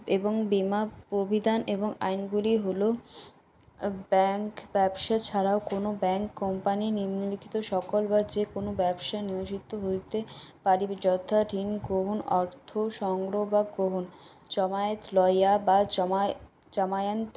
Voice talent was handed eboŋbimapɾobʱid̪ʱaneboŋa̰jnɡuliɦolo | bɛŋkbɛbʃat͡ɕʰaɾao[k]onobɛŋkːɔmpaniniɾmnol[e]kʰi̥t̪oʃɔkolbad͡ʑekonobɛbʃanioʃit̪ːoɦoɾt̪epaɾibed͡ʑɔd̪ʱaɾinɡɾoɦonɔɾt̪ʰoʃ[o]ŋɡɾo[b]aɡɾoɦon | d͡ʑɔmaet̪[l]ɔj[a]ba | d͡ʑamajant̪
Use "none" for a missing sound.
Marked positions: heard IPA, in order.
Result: k, i, ɔ, b, l, a

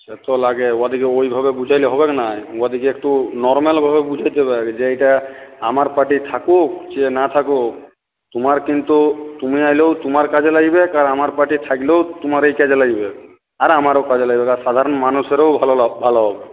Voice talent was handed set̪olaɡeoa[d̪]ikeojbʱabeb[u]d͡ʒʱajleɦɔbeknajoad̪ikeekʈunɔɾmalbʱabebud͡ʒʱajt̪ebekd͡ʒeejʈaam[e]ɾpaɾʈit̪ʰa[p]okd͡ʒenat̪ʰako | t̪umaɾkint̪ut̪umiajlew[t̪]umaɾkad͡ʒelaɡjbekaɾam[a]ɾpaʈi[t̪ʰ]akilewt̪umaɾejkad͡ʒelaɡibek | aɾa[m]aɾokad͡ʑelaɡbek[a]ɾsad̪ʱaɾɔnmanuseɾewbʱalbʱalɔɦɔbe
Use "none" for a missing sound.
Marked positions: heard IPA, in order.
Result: d̪, u, a, k, t̪, a, t̪ʰ, m, a

